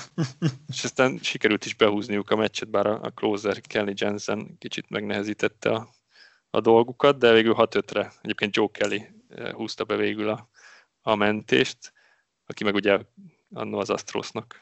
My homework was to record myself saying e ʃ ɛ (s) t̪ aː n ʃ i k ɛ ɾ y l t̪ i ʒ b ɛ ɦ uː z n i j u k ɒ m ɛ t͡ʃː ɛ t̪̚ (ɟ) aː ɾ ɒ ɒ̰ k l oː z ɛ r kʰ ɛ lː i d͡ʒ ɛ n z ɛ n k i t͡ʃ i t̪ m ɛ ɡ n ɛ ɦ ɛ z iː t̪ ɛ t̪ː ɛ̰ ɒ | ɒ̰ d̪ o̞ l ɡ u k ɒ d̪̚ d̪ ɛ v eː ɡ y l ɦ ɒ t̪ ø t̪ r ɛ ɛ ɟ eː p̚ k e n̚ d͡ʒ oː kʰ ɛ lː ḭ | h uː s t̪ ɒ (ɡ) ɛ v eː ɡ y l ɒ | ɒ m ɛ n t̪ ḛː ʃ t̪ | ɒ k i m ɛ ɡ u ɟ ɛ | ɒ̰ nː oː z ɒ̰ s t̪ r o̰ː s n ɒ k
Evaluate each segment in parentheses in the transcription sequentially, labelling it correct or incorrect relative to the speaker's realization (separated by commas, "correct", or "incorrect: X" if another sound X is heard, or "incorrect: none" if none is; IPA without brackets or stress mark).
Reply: correct, incorrect: b, incorrect: b